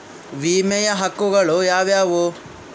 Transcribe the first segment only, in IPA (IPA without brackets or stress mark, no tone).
ʋ